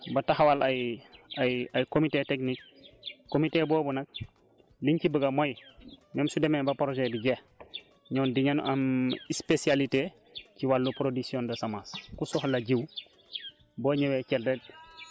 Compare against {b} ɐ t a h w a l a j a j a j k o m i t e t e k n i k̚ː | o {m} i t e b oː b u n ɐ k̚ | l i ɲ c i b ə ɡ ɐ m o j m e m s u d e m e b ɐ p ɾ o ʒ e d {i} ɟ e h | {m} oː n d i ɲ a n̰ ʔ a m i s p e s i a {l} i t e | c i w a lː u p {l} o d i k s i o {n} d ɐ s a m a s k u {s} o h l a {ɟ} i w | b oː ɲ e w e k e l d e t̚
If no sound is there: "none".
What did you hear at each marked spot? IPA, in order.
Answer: b, m, i, ɲ, l, ɾ, n, s, ɟ

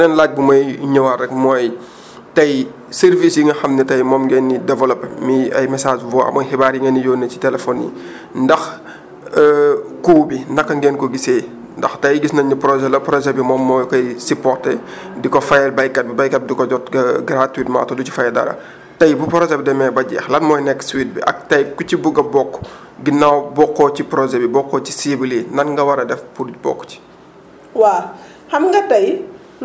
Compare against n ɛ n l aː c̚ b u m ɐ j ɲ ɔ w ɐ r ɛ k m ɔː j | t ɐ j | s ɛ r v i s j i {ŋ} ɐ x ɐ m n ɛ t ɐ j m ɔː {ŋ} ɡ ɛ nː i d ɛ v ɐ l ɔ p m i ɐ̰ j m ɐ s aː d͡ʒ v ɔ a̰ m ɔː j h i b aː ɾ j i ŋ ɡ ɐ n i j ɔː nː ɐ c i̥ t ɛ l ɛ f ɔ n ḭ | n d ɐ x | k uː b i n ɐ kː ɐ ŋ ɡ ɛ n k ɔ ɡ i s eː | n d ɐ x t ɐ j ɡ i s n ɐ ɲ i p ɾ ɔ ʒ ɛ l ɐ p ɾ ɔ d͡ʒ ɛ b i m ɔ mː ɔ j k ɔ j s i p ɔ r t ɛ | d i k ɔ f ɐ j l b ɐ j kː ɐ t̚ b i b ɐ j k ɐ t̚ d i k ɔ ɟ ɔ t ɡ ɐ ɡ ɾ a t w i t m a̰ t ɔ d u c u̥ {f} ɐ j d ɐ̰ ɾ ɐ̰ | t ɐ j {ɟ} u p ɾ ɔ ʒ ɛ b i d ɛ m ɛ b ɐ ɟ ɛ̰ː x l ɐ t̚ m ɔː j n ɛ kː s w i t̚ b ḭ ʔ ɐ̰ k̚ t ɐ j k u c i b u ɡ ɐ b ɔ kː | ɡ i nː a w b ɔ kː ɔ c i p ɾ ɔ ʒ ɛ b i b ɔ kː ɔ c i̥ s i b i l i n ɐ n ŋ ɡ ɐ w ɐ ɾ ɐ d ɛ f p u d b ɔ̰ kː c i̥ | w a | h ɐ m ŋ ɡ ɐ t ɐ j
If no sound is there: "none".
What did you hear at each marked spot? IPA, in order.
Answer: ŋ, m, f, b

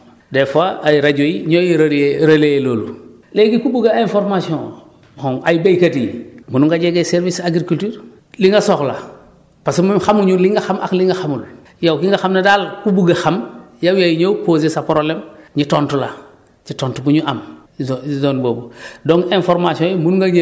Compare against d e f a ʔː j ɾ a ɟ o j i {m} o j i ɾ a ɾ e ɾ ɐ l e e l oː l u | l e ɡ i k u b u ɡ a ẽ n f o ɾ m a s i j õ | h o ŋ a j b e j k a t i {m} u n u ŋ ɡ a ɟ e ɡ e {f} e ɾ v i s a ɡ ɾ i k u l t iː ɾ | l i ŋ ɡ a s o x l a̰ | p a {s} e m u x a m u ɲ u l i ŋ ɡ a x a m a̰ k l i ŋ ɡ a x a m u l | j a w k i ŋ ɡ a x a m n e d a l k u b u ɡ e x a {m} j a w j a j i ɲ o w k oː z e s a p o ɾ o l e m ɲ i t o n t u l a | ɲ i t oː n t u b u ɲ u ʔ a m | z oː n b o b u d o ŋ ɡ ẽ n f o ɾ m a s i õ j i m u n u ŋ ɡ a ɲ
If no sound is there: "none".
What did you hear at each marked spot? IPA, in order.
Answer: ɲ, m, s, s, m

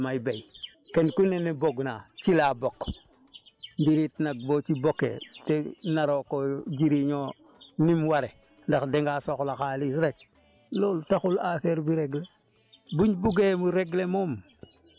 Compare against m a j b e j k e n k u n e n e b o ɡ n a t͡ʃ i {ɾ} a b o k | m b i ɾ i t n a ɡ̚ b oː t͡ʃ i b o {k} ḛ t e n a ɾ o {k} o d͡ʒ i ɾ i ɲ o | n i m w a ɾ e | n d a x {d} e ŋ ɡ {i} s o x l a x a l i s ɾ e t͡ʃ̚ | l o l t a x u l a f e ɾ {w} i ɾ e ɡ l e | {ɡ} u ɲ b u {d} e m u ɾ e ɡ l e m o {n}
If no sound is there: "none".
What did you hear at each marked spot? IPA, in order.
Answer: l, k, k, d, a, b, b, ɡ, m

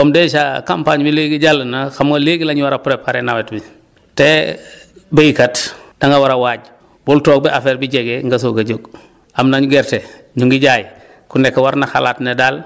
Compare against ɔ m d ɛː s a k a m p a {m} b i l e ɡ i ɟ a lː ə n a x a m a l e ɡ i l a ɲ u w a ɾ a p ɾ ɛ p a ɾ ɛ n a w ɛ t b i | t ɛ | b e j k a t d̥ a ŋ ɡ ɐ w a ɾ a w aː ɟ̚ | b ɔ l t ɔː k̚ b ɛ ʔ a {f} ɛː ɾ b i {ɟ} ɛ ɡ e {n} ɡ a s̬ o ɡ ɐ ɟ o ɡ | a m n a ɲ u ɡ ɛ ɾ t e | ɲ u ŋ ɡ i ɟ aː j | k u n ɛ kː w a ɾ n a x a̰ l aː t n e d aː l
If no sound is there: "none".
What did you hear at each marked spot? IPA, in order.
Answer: ɲ, f, ɟ, ŋ

